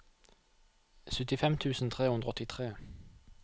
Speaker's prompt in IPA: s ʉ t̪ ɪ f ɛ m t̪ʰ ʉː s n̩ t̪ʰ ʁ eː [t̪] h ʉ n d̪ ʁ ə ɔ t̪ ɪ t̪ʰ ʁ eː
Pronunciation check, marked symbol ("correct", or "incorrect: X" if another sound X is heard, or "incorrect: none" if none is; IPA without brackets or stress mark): incorrect: none